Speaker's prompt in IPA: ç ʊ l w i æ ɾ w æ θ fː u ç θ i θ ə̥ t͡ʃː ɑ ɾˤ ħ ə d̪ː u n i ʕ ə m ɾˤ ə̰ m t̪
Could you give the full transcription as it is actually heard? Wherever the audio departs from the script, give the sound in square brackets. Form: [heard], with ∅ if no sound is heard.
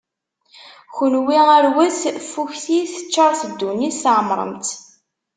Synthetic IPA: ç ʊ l w i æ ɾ w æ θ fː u ç θ i θ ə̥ t͡ʃː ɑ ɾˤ [θ] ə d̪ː u n i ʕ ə m ɾˤ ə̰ m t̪